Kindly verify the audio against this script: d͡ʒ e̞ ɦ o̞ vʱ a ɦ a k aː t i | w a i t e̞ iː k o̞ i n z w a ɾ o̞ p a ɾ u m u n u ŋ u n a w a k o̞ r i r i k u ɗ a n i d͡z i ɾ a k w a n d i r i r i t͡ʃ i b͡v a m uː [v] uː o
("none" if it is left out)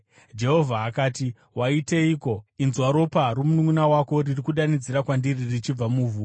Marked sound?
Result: v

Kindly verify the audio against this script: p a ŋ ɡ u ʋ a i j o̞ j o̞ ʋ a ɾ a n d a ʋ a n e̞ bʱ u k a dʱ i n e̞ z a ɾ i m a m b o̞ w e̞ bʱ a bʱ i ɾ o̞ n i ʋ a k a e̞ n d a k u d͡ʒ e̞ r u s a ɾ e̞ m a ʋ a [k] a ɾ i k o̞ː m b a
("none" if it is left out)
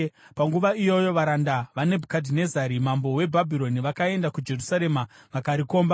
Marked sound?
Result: k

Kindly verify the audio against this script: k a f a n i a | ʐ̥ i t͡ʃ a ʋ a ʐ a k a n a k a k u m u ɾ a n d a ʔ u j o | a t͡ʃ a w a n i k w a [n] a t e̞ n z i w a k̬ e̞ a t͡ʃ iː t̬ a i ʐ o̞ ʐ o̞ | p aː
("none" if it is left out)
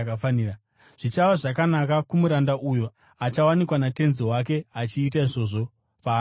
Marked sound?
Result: n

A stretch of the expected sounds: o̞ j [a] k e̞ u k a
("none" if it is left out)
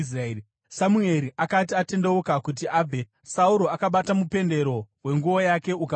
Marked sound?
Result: a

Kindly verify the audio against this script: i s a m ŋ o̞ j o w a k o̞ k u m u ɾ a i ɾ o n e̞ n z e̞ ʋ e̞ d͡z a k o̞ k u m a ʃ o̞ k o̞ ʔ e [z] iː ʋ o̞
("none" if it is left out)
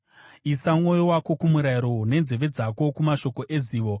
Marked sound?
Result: z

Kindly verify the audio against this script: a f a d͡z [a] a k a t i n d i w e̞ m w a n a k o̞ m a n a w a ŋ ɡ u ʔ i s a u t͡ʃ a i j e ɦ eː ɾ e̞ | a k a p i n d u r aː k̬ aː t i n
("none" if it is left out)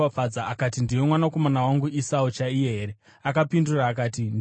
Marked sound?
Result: a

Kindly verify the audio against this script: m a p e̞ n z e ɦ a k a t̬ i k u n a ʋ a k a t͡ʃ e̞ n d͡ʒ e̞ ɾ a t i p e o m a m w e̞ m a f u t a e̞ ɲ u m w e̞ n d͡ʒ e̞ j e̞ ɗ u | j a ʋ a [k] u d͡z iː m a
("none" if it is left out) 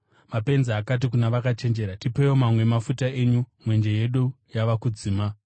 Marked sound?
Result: k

